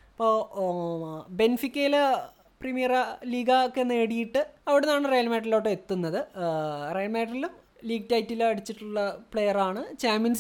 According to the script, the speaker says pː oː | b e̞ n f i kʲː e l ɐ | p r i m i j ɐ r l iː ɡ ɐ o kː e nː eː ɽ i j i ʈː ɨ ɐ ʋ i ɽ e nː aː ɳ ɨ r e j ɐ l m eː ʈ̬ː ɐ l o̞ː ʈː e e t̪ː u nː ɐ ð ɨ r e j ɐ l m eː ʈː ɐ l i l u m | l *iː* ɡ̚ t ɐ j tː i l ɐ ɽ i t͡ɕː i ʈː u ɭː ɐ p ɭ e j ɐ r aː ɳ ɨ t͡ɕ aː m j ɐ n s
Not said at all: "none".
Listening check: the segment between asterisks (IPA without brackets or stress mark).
iː